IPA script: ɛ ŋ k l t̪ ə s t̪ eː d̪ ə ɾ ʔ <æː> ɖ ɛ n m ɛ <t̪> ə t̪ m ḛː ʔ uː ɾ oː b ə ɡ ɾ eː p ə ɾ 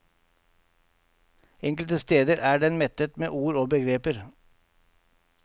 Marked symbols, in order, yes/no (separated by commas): yes, yes